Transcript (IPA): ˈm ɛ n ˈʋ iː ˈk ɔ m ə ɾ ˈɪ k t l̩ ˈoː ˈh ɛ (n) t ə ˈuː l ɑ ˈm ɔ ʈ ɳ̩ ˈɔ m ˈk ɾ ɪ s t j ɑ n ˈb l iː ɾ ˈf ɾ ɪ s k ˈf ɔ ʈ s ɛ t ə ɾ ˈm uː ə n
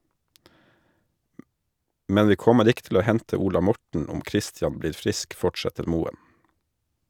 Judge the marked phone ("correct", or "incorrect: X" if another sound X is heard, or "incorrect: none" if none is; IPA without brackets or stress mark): correct